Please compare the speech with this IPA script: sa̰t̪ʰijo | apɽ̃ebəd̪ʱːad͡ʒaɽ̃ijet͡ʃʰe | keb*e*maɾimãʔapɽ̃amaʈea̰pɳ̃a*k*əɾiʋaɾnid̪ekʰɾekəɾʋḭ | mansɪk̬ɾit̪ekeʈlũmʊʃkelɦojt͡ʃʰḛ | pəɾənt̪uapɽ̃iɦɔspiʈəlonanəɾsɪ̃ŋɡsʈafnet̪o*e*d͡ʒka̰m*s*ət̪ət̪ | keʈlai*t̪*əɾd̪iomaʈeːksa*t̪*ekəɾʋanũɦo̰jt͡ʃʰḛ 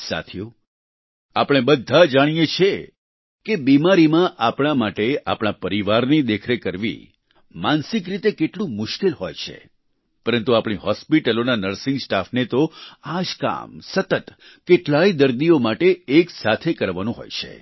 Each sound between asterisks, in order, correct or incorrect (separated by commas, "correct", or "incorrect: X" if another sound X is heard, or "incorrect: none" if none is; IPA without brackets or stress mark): incorrect: i, incorrect: p, incorrect: a, correct, incorrect: d̪, incorrect: t̪ʰ